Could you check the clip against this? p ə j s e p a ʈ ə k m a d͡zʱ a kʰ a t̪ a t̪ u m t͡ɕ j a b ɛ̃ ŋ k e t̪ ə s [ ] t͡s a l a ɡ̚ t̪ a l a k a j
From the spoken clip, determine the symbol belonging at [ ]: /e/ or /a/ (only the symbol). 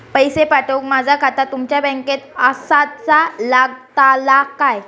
a